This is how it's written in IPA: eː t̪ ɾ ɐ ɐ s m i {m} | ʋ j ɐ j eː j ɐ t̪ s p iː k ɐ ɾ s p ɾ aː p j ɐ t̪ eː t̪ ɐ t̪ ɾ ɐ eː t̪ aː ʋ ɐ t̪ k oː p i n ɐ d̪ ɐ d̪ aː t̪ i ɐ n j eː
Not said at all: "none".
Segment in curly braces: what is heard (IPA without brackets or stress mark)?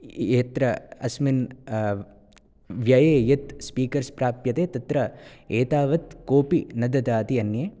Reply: n